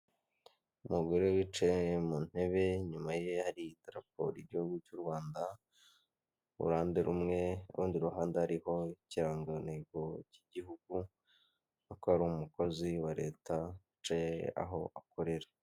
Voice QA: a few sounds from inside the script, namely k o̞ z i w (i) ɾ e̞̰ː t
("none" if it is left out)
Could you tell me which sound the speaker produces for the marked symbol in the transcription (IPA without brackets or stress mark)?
a